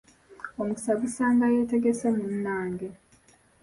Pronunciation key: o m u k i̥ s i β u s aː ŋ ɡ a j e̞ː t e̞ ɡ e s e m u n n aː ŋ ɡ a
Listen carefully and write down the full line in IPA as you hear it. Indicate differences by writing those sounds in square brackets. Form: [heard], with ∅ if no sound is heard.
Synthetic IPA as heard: o m u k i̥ s [a] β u s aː ŋ ɡ a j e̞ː t e̞ ɡ e s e m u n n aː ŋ ɡ [e]